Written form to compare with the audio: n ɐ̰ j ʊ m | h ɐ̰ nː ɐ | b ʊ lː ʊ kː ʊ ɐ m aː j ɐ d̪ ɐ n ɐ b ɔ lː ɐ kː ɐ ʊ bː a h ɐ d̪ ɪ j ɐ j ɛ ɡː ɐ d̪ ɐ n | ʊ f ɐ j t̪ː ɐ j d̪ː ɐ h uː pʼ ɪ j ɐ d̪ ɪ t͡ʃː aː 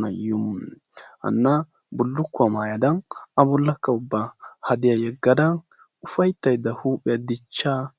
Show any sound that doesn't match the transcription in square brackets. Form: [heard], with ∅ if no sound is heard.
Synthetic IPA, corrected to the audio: n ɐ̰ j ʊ m | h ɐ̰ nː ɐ | b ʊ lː ʊ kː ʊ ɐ m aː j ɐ d̪ ɐ n ɐ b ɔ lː ɐ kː ɐ ʊ bː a h ɐ d̪ ɪ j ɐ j ɛ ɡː ɐ d̪ ɐ n | ʊ f ɐ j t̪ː ɐ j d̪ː ɐ h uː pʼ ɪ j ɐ d̪ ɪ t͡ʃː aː